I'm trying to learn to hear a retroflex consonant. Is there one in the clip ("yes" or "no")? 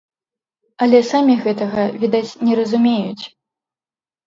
no